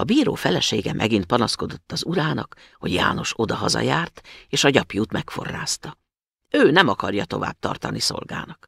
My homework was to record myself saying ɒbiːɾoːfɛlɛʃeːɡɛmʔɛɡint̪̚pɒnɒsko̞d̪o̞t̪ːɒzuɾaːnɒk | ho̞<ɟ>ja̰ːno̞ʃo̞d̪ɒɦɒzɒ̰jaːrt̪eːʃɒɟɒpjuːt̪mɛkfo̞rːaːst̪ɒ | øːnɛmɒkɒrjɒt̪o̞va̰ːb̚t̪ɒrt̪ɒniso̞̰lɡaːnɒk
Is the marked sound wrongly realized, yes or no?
no